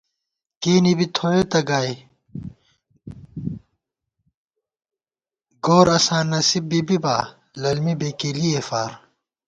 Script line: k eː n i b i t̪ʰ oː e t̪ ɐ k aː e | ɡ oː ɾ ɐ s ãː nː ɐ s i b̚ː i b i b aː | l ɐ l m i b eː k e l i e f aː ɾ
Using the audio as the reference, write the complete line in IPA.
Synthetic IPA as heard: k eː n i b i t̪ʰ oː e t̪ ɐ ɡ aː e | ɡ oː ɾ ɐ s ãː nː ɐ s i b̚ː i b i b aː | l ɐ l m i b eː k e l i e f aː ɾ